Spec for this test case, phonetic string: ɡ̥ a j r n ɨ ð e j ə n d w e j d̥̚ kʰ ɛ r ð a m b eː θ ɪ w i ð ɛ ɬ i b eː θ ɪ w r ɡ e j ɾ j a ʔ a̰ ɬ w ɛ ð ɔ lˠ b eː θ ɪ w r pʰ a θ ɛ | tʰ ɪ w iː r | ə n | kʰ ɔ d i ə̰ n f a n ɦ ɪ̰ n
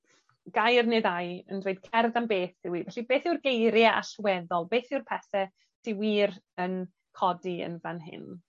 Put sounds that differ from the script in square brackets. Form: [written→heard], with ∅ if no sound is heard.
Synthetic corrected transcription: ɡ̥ a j r n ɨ ð [e→a] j ə n d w e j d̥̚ kʰ ɛ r ð a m b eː θ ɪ w i [ð→v] ɛ ɬ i b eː θ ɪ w r ɡ e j ɾ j a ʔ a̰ ɬ w ɛ ð ɔ lˠ b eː θ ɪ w r pʰ [a→ɛ] θ ɛ | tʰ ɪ w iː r | ə n | kʰ ɔ d i ə̰ n [f→v] a n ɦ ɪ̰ n